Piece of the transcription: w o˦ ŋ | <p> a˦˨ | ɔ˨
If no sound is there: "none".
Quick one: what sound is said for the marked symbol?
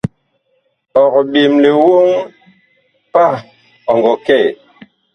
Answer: p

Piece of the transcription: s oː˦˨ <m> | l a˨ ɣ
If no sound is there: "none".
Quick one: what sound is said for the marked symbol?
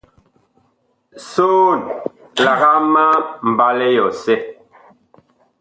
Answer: n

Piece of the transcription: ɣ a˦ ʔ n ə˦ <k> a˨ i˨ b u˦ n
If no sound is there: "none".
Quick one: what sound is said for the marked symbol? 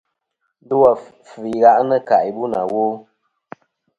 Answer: k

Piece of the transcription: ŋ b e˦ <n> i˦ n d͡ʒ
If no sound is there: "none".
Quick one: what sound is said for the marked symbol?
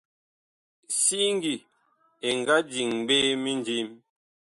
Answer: m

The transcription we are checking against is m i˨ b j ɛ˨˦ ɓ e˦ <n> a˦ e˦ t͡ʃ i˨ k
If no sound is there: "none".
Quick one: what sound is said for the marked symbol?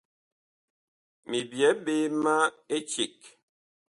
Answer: m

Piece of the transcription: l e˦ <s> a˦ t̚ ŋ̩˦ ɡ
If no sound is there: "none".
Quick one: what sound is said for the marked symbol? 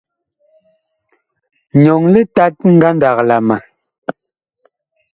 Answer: t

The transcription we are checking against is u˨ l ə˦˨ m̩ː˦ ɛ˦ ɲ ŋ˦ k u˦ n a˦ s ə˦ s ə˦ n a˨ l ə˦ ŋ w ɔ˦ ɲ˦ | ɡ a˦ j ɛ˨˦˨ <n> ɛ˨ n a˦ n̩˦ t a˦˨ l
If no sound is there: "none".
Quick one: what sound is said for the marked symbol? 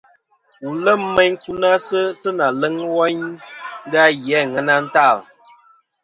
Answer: ŋ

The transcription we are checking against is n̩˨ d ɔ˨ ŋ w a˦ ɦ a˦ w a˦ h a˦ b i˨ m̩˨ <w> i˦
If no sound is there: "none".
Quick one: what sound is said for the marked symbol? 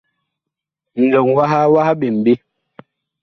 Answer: b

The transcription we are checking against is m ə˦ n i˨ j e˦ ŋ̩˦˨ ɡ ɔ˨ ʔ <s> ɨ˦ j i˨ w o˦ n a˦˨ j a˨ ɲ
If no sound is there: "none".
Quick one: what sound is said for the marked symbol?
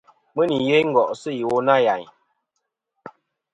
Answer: s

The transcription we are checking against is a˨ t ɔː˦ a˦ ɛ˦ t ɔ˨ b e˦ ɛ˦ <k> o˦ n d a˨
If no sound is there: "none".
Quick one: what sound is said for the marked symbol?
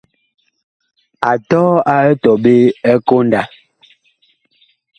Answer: k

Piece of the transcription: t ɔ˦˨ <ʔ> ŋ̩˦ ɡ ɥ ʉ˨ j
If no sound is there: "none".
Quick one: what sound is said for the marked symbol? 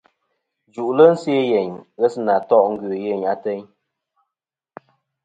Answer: ʔ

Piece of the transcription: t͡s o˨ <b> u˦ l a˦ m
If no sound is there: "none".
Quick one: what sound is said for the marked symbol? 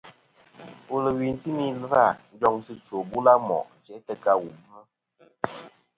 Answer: b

